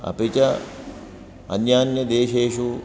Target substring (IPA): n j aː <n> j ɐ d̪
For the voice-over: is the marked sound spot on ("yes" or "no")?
yes